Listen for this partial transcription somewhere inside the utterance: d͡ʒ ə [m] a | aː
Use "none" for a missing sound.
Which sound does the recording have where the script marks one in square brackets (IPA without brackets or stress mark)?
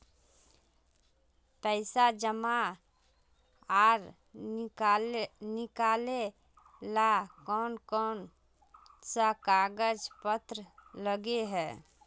m